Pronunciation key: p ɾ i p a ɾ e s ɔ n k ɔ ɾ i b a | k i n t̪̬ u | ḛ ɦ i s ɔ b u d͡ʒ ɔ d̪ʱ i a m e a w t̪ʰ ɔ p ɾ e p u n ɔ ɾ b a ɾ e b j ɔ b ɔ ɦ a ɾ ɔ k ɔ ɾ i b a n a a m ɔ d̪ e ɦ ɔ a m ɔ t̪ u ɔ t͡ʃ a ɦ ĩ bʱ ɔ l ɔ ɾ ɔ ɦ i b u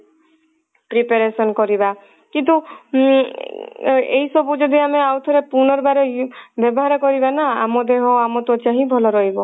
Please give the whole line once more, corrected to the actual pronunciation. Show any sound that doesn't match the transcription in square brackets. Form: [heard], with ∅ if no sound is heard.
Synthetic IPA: p ɾ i p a ɾ e s ɔ n k ɔ ɾ i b a | k i n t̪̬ u | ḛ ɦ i s ɔ b u d͡ʒ ɔ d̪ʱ i a m e a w t̪ʰ ɔ [∅] ɾ e p u n ɔ ɾ b a ɾ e b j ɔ b ɔ ɦ a ɾ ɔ k ɔ ɾ i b a n a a m ɔ d̪ e ɦ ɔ a m ɔ t̪ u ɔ t͡ʃ a ɦ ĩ bʱ ɔ l ɔ ɾ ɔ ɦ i b [ɔ]